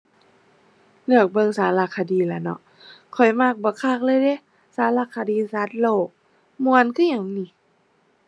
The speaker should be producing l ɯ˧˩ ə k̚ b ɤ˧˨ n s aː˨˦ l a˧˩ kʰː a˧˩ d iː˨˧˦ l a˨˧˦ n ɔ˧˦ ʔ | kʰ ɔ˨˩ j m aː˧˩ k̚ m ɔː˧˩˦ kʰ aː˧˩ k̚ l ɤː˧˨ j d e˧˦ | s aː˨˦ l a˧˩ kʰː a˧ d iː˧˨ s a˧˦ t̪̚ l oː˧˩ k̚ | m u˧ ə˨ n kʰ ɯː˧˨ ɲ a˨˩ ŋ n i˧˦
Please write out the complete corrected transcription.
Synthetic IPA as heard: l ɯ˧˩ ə k̚ b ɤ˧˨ ŋ s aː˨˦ l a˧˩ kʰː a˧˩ d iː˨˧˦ l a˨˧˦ n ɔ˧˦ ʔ | kʰ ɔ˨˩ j m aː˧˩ k̚ b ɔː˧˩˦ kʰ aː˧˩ k̚ l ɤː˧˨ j d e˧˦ | s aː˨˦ l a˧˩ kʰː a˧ d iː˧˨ s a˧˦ t̪̚ l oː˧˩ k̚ | m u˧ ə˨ n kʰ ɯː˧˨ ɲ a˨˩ ŋ n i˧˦